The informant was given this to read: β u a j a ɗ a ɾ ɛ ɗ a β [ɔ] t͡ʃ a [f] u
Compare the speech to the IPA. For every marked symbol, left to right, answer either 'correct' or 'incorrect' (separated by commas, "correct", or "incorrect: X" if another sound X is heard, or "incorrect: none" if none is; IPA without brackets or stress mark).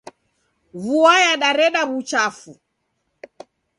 incorrect: u, correct